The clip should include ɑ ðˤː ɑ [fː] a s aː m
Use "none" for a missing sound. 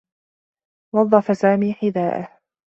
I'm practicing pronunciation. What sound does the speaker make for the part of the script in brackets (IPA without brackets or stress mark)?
f